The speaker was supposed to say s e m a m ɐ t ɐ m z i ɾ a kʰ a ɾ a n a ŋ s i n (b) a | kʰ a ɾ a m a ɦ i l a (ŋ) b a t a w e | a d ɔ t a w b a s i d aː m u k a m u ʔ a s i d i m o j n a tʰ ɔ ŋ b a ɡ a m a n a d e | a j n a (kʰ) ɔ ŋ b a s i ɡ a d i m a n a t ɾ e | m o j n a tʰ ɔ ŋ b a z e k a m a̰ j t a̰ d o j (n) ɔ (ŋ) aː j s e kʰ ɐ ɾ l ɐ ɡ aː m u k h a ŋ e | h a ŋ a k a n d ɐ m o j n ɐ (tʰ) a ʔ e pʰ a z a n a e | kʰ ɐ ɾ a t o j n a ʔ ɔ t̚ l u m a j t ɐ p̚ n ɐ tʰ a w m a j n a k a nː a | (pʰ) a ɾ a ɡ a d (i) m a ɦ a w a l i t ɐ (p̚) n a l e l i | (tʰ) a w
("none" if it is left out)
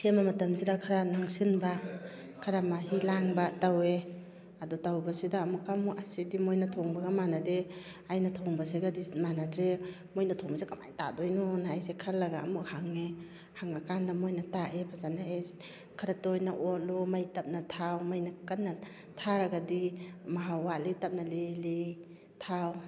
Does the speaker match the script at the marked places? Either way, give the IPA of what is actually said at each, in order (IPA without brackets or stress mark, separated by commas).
b, ŋ, tʰ, n, n, t, tʰ, i, p̚, tʰ